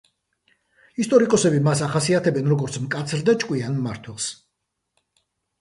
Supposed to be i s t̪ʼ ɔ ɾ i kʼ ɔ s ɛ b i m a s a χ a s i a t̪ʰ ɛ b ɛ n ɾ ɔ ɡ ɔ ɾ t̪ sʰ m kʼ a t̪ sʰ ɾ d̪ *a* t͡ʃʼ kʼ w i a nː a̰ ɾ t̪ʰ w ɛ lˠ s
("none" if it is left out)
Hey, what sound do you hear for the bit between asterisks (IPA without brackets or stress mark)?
a